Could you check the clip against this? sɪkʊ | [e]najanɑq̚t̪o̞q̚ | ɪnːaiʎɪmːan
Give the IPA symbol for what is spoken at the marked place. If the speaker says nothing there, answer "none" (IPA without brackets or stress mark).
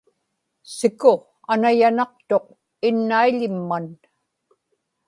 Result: a